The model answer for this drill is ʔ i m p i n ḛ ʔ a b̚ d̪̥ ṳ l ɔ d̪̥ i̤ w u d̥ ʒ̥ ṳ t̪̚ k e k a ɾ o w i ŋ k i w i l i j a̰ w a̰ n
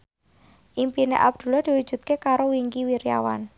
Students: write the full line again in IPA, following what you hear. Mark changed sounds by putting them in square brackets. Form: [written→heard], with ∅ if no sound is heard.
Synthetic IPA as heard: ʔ i m p i n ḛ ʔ a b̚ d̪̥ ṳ l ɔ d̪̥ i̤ w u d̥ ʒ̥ ṳ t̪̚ k e k a ɾ o w i ŋ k i w i [l→ɾ] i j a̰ w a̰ n